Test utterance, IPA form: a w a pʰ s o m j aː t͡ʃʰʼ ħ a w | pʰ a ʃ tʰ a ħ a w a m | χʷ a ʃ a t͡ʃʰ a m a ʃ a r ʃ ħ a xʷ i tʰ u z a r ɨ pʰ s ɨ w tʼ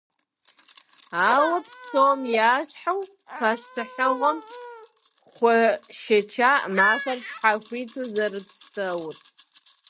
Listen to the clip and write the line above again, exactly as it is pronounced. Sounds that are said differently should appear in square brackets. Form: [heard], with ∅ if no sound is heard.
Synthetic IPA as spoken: a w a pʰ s o m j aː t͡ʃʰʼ ħ a w | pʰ a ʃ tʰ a ħ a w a m | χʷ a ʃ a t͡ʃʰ a m a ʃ a r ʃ ħ a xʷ i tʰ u z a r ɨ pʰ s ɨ w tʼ